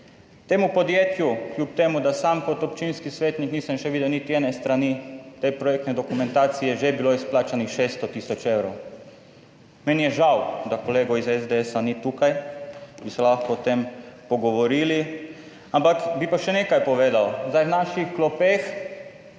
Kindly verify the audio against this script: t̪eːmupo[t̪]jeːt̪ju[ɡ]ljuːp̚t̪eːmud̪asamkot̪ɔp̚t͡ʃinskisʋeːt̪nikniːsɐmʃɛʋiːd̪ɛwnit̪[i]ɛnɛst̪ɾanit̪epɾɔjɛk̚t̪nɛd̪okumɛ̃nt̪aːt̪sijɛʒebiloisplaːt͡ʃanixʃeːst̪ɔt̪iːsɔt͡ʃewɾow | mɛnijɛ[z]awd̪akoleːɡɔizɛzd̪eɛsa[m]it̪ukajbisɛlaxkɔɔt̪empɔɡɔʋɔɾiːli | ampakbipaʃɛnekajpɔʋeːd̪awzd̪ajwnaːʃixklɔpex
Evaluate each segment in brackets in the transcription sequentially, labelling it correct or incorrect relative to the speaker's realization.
incorrect, incorrect, correct, incorrect, incorrect

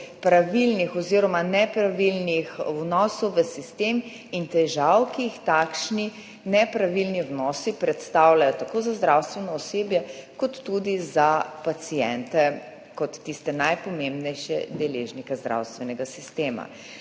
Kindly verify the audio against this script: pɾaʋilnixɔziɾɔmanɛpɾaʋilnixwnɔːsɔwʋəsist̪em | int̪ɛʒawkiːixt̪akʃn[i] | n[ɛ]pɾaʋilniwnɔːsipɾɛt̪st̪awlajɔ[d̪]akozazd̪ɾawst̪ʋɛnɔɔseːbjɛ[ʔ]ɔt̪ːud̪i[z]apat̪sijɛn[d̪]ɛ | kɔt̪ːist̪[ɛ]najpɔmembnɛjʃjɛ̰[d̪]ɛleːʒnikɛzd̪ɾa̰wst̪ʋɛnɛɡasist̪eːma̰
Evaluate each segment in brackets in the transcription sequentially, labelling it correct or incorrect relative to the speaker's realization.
correct, correct, incorrect, incorrect, correct, incorrect, correct, correct

